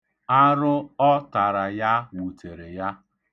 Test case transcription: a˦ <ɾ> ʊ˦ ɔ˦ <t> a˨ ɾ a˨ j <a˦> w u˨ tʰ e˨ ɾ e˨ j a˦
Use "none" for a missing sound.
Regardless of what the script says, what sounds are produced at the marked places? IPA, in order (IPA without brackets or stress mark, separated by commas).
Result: ɾ, t, a˦